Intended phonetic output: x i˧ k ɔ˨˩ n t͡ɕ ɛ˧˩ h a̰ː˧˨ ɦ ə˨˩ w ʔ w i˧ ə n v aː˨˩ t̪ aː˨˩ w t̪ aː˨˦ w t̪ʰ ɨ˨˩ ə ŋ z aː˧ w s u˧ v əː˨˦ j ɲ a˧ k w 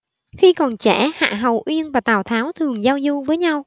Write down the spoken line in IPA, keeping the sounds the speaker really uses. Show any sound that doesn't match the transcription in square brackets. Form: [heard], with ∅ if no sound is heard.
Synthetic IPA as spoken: x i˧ k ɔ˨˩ n t͡ɕ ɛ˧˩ h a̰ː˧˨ ɦ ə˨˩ w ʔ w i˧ ə n v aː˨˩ t̪ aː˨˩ w [t̪ʰ] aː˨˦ w t̪ʰ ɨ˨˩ ə ŋ z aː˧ w [z] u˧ v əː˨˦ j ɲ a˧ [∅] w